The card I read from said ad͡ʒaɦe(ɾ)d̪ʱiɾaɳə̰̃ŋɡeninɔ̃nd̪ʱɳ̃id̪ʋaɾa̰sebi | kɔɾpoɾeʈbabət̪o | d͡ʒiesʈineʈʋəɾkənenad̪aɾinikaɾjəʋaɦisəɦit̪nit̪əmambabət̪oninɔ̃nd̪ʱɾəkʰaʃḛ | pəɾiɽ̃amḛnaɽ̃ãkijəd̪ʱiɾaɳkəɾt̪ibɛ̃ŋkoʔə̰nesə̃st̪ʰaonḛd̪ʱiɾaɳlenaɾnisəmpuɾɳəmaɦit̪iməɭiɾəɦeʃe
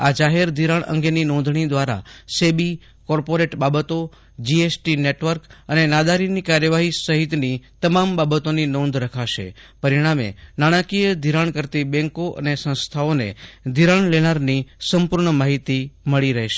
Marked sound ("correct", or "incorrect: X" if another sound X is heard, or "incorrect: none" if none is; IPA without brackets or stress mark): correct